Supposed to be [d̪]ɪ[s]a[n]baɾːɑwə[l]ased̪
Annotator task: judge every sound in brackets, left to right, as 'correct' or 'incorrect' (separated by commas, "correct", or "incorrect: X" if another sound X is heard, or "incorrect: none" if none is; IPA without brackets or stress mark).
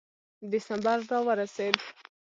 correct, correct, incorrect: m, incorrect: ɾ